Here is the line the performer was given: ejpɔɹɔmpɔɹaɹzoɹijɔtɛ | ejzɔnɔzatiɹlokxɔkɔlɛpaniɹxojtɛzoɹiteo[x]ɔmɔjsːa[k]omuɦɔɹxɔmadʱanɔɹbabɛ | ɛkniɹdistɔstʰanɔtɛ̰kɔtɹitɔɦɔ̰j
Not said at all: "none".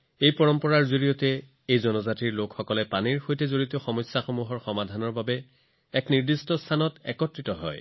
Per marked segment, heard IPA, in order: x, x

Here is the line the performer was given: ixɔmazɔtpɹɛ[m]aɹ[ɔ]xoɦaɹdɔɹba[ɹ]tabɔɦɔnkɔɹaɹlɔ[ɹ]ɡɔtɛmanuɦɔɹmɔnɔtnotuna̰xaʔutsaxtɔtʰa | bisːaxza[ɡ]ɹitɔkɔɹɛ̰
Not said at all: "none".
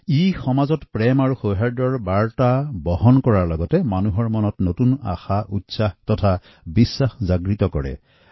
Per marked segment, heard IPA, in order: m, u, ɹ, none, ɡ

